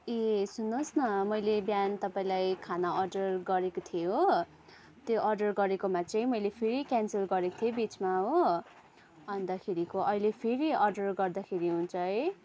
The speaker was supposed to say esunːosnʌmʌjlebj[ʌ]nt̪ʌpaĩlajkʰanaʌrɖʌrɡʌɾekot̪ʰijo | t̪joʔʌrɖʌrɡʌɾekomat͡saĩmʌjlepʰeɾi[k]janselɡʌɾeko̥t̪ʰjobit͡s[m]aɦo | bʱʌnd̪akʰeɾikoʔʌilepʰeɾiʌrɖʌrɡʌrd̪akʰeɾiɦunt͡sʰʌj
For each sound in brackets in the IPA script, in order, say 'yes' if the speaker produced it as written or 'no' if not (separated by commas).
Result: no, yes, yes